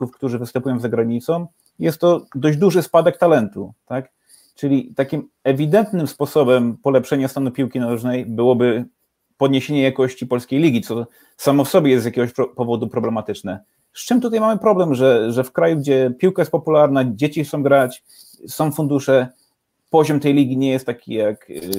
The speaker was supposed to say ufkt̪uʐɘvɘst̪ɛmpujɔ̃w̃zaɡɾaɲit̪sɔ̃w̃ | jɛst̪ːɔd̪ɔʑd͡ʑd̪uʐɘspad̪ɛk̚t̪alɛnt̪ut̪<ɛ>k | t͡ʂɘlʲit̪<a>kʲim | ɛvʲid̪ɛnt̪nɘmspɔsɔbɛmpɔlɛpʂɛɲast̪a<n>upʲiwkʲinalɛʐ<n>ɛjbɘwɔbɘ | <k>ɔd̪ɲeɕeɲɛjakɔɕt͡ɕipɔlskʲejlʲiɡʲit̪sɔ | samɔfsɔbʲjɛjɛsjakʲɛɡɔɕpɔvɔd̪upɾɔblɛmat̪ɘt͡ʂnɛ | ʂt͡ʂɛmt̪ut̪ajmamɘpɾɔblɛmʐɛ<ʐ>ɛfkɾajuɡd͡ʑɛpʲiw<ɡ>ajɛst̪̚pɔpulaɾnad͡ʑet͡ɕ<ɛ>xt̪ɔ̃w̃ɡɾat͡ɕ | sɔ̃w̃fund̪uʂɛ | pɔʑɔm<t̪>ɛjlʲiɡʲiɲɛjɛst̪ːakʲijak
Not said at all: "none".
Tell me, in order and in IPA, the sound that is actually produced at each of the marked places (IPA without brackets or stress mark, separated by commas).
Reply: a, a, n, n, p, ʐ, k, i, t̪